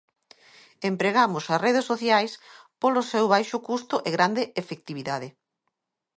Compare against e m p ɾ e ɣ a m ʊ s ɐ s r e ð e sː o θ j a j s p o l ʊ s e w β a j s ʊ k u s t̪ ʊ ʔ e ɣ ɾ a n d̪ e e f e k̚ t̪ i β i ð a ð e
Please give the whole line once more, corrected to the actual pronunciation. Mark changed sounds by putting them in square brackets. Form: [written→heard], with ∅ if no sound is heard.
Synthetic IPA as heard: e m p ɾ e ɣ a m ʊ s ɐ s r e ð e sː o θ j a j s p o l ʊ s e w β a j [s→ʃ] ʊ k u s t̪ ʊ ʔ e ɣ ɾ a n d̪ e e f e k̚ t̪ i β i ð a ð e